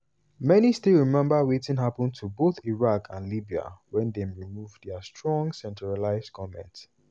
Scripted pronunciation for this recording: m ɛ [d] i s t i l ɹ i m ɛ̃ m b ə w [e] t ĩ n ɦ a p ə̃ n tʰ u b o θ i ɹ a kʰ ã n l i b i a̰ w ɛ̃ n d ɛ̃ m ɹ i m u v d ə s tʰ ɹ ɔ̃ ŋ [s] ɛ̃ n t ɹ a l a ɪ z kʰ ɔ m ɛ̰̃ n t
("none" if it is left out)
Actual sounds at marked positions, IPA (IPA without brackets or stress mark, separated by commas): n, e, s